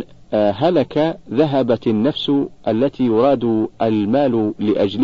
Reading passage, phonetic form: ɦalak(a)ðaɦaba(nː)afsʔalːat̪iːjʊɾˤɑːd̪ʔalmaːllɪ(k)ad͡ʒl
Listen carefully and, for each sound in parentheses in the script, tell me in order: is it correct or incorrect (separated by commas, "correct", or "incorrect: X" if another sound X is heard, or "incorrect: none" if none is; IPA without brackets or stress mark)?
correct, correct, incorrect: ʔ